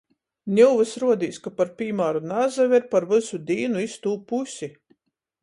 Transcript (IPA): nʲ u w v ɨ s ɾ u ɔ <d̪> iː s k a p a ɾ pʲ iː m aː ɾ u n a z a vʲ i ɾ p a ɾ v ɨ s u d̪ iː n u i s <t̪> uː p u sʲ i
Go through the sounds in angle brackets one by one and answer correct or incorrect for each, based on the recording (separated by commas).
correct, correct